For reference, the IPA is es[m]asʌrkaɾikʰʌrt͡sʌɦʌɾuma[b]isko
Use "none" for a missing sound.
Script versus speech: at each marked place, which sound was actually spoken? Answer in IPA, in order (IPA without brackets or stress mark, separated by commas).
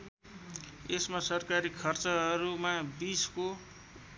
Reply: m, b